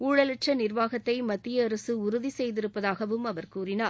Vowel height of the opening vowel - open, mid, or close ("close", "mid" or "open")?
close